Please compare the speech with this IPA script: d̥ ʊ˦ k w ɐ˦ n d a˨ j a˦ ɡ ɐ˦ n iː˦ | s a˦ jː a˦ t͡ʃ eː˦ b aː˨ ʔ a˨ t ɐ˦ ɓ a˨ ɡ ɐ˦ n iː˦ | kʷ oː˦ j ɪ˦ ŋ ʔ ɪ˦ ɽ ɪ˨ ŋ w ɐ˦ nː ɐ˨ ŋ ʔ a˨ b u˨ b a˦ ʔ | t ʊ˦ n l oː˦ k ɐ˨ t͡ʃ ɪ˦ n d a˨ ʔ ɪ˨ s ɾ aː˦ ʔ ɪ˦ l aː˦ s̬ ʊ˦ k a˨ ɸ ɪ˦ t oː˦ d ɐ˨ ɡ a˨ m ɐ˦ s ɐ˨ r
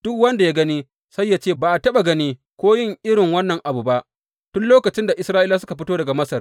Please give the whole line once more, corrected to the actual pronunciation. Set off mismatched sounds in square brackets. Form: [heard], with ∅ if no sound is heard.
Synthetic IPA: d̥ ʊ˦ k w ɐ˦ n d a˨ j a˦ ɡ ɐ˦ n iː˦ | s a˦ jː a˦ t͡ʃ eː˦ b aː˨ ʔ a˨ t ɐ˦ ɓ a˨ ɡ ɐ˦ n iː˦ | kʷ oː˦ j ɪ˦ ŋ ʔ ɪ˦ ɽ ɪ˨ ŋ w ɐ˦ nː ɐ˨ ŋ ʔ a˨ b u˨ b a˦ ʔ | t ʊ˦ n l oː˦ k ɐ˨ t͡ʃ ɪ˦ n d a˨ ʔ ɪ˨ s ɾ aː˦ ʔ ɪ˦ l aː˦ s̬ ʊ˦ k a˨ ɸ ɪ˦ t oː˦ d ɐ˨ ɡ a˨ m ɐ˦ s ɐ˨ r